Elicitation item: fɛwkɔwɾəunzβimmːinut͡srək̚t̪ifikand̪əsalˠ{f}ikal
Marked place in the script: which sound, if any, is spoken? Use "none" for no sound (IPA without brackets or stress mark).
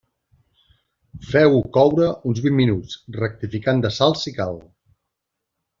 s